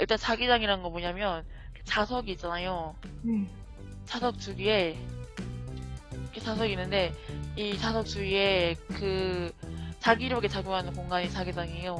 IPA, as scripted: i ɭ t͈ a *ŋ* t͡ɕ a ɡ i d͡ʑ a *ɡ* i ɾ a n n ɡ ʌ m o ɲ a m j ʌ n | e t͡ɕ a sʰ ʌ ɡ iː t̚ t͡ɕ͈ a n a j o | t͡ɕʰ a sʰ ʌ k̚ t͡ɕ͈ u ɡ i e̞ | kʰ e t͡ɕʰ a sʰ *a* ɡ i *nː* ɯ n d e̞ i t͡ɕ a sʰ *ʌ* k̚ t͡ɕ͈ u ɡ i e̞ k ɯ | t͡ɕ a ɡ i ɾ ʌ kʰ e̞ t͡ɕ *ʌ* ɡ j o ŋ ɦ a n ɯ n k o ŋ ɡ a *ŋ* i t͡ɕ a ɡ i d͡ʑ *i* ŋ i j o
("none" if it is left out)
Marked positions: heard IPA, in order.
n, ŋ, ʌ, nː, ʌ, a, ɲ, a

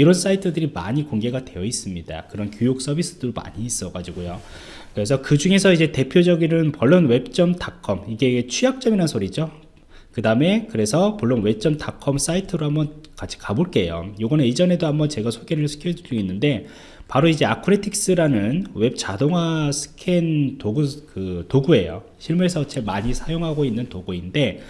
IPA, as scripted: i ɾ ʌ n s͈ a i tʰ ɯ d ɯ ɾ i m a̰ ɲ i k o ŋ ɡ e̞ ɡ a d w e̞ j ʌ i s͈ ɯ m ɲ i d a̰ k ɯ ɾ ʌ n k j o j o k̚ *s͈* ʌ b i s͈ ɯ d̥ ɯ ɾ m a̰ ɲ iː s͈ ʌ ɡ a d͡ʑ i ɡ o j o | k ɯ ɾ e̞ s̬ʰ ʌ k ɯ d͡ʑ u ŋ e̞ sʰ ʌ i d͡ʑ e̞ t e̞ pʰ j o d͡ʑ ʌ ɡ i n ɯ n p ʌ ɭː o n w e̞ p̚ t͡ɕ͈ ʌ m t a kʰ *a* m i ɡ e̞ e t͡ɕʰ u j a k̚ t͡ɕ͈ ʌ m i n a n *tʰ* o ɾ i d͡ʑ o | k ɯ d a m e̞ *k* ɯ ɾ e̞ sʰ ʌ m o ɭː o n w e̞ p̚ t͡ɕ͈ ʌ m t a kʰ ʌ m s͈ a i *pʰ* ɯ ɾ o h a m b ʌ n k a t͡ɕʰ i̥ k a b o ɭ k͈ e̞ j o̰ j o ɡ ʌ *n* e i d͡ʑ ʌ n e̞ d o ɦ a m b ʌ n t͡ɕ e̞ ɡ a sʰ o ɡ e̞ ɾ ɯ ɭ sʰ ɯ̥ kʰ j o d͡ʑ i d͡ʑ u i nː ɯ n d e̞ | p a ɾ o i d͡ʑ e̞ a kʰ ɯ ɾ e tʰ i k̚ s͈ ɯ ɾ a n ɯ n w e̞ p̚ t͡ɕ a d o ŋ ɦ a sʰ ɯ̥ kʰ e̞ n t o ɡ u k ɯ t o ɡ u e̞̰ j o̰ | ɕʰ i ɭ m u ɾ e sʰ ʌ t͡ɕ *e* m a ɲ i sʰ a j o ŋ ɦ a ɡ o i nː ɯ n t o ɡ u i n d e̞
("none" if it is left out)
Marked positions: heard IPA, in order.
s͈, ʌ, sʰ, k, tʰ, n, e

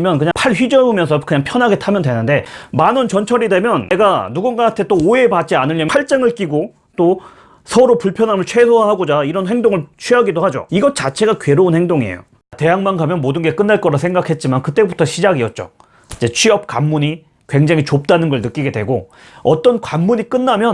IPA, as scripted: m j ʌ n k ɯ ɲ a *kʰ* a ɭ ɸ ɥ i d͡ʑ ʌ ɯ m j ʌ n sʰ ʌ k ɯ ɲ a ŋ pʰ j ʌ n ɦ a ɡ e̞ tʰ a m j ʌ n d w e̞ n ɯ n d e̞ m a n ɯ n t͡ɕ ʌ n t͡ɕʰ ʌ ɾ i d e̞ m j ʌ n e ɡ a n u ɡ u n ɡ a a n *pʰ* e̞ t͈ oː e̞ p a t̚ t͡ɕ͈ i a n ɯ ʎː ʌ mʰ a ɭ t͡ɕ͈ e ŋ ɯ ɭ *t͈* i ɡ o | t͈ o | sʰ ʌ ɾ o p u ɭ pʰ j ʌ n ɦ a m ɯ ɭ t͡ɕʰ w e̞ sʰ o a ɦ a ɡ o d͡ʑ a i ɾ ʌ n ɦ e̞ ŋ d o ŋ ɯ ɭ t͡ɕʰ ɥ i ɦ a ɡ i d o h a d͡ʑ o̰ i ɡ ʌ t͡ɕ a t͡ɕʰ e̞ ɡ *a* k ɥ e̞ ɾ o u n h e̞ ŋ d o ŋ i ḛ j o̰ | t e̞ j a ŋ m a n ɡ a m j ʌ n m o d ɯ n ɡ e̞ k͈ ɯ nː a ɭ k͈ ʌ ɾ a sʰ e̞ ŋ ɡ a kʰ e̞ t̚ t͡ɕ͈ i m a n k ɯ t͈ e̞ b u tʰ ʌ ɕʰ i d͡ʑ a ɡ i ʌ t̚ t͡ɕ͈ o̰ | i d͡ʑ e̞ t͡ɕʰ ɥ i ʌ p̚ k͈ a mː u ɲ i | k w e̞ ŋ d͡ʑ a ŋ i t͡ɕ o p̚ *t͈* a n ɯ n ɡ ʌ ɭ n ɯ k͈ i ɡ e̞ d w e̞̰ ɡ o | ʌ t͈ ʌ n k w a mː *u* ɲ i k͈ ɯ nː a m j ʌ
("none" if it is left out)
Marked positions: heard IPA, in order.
pʰ, tʰ, k͈, a, t͈, u

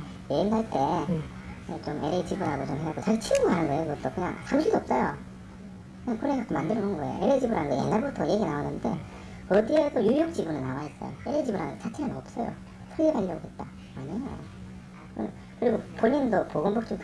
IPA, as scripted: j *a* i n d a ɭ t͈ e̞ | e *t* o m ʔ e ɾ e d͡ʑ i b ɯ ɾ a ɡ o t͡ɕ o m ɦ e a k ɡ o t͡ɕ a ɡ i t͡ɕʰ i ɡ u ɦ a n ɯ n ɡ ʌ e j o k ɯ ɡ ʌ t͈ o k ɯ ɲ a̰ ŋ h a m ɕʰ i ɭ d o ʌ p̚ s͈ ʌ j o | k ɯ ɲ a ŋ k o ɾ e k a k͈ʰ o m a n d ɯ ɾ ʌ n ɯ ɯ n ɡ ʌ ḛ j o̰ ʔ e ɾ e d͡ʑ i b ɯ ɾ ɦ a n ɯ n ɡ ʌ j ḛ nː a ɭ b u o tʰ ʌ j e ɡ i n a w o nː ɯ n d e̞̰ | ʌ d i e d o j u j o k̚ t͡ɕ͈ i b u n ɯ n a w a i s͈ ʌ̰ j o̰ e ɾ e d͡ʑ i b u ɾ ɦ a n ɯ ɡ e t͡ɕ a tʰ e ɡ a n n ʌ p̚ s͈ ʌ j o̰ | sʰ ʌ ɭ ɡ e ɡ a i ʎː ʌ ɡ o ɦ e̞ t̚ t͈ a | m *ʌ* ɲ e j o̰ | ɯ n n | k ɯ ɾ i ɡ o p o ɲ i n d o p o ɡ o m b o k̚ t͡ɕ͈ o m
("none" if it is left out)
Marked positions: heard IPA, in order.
e, t͡ɕ, a

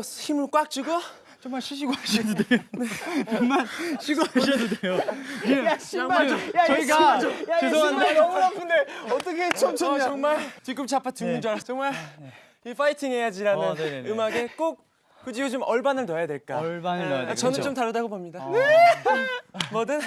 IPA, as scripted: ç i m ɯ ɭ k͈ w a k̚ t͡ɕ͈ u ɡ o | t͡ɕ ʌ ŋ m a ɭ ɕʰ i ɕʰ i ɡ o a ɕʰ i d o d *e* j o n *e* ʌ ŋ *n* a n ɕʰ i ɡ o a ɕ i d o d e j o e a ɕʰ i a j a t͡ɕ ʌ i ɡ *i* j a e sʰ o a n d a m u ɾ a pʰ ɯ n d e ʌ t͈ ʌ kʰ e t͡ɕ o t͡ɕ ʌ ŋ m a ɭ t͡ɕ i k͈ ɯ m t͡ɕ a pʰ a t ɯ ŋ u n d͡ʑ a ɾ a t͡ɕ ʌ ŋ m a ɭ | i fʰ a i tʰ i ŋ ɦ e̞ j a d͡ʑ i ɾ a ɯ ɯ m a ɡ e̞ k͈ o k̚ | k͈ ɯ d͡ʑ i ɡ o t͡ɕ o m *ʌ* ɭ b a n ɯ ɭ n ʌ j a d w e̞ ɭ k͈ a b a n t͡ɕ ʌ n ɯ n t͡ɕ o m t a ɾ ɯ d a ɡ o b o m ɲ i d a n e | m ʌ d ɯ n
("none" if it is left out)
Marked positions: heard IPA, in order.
e, e, m, a, ʌ

